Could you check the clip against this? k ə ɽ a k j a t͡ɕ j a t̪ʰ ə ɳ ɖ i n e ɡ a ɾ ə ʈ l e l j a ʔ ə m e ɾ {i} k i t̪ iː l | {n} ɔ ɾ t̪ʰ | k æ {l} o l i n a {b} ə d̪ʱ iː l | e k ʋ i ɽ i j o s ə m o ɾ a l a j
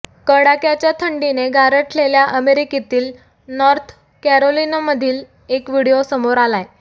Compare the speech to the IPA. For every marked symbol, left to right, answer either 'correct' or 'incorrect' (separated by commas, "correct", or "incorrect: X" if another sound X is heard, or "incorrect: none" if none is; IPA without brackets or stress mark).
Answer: correct, correct, incorrect: ɾ, incorrect: m